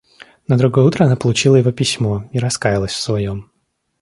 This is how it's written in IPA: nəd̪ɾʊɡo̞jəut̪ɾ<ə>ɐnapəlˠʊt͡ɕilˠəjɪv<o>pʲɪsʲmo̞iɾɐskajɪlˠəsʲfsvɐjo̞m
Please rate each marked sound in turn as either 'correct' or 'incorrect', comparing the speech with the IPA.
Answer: correct, correct

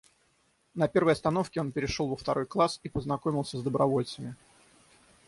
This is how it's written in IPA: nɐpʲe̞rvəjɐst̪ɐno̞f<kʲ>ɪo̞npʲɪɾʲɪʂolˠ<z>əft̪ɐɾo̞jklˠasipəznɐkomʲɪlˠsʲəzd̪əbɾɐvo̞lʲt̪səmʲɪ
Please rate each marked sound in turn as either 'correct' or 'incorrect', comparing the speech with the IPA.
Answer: correct, incorrect: v

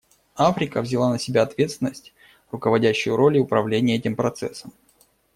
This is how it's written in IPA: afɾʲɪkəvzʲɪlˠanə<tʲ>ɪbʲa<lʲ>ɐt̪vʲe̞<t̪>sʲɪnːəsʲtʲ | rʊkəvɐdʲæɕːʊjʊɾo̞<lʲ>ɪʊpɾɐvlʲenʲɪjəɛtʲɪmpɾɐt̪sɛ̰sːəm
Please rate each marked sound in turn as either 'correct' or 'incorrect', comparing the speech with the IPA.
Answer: incorrect: sʲ, incorrect: none, correct, correct

